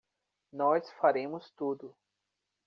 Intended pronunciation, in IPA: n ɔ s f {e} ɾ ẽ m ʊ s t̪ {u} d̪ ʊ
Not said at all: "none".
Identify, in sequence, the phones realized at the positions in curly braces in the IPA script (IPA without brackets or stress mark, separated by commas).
a, u